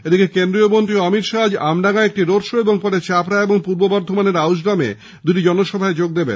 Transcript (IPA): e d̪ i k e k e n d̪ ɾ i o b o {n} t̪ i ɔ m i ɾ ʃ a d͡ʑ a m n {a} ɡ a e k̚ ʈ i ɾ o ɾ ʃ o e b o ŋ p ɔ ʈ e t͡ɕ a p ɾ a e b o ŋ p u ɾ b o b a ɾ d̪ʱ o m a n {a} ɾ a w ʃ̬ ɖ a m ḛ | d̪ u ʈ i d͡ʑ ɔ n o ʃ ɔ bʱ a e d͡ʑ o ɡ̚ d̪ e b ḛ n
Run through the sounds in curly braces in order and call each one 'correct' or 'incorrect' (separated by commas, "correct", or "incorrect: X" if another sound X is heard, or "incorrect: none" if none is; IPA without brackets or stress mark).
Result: correct, correct, incorrect: e